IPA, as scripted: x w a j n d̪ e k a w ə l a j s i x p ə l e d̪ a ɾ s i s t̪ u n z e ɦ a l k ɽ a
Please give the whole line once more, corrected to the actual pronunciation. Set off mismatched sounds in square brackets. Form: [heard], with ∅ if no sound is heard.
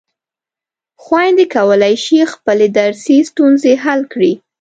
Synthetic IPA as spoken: x w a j n d̪ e k a w ə l a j [ʃ] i x p ə l e d̪ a ɾ s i s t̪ u n z e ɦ a l k ɽ [i]